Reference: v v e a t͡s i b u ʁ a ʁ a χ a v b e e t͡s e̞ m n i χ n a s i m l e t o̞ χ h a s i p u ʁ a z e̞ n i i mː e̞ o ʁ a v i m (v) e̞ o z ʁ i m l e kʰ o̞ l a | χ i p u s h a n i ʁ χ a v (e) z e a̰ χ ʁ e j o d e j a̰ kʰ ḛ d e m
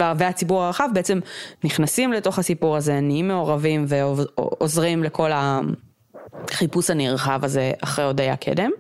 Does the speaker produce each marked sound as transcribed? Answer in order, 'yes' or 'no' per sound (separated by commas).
yes, no